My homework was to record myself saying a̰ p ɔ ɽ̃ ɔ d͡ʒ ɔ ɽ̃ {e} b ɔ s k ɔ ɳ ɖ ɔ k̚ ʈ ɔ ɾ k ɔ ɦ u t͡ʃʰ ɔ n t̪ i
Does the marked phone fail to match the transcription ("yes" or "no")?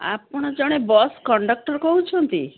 no